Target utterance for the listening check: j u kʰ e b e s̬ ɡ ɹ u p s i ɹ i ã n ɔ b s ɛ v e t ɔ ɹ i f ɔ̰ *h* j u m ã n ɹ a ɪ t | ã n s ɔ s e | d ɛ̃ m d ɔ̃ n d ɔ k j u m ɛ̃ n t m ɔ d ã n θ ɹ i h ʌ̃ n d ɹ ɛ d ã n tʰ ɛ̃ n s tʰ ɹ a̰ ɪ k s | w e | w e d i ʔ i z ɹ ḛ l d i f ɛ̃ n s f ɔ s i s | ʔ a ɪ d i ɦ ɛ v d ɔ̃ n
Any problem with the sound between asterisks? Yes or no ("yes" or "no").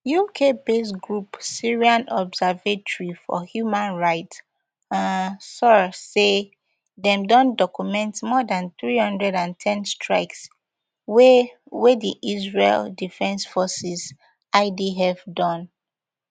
no